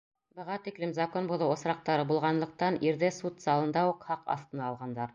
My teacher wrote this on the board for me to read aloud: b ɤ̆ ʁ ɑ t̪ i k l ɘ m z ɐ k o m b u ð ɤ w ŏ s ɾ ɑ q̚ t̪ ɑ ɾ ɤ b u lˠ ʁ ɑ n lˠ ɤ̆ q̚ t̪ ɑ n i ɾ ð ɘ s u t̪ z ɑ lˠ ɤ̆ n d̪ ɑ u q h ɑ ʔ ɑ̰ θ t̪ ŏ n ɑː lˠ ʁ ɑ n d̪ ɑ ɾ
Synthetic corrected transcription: b ɤ̆ ʁ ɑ t̪ i k l ɘ m z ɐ k o n b u ð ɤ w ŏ s ɾ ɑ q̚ t̪ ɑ ɾ ɤ b u lˠ ʁ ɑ n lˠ ɤ̆ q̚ t̪ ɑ n i ɾ ð ɘ s u t̪ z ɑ lˠ ɤ̆ n d̪ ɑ u q h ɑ q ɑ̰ θ t̪ ɤ̆ n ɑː lˠ ʁ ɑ n d̪ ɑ ɾ